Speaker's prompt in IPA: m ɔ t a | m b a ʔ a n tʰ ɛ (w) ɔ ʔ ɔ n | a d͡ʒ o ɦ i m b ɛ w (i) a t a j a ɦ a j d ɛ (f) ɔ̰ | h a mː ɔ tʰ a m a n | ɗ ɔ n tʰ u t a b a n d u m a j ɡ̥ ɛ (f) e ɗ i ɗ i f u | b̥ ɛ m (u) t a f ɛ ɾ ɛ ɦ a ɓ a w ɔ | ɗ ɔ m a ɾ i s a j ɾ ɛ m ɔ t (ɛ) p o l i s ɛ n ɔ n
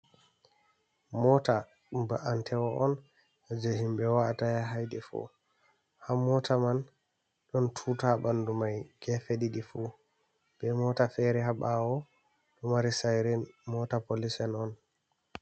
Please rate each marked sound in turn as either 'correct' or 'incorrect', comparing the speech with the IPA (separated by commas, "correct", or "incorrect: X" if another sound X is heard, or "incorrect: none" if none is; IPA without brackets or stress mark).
correct, incorrect: a, correct, correct, incorrect: ɔ, incorrect: a